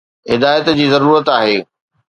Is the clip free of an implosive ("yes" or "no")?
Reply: yes